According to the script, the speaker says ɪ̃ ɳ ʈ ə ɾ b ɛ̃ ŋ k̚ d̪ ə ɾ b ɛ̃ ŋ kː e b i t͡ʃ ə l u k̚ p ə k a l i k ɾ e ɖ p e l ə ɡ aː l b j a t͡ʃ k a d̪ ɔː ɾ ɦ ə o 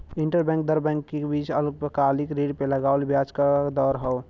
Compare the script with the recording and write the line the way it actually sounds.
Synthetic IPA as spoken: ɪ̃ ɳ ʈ ə ɾ b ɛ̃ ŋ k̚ d̪ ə ɾ b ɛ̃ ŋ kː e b i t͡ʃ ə l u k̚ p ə k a l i k ɾ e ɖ p e l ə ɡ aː l b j a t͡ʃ k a d̪ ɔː ɾ ɦ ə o